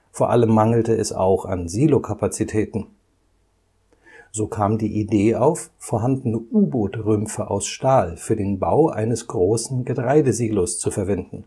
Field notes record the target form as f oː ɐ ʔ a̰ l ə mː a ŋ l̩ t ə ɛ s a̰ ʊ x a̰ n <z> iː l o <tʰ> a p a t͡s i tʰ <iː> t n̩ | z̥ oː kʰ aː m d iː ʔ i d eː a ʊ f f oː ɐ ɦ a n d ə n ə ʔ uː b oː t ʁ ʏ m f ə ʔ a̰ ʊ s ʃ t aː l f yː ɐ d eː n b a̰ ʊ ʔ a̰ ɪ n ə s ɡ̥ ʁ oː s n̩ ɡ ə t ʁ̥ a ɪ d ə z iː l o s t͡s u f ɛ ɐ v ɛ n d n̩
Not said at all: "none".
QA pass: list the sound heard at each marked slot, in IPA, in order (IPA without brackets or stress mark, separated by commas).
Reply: z, kʰ, ɛː